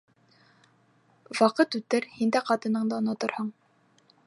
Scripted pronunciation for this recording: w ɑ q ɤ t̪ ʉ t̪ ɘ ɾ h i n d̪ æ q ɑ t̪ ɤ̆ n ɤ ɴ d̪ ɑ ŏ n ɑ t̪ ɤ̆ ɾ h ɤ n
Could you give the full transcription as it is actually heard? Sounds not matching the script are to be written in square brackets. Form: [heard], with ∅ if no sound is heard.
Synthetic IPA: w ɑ q ɤ t̪ ʉ t̪ ɘ ɾ h i n d̪ æ q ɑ t̪ ɤ̆ n ɤ ɴ d̪ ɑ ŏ n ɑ t̪ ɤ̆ ɾ h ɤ [ɴ]